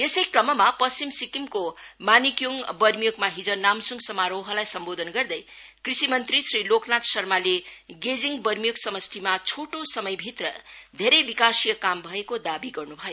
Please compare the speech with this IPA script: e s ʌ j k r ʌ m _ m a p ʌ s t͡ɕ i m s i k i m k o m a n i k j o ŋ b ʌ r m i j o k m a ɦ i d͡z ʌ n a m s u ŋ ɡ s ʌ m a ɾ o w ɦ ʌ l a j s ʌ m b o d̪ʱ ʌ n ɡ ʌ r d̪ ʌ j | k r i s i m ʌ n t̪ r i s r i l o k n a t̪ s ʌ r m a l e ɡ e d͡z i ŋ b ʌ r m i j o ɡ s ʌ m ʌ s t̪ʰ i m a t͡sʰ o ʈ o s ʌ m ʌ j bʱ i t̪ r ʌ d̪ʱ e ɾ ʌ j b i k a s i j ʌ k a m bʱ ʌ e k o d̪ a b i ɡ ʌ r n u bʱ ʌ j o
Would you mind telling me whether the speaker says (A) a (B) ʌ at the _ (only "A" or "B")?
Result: B